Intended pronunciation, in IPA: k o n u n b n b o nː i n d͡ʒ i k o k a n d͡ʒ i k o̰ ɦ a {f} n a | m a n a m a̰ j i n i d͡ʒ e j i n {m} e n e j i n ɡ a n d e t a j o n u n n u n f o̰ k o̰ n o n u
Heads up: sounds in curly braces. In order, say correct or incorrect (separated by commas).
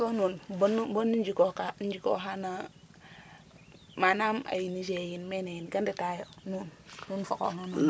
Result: incorrect, correct